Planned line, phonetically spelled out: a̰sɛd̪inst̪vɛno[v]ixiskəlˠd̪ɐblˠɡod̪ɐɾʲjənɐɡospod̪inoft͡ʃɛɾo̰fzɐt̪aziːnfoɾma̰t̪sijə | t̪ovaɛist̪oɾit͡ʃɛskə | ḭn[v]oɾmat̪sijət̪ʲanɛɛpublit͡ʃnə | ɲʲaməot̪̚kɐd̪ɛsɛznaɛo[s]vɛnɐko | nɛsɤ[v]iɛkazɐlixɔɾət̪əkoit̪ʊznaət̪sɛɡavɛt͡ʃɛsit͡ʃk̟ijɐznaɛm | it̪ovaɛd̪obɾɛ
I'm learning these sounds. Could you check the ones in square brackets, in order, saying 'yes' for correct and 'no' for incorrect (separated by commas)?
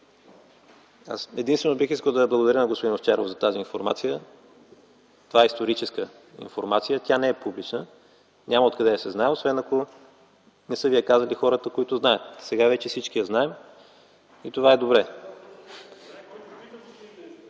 no, no, yes, yes